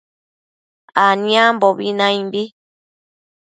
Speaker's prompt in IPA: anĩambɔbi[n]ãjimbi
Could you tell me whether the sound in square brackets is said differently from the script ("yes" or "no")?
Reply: no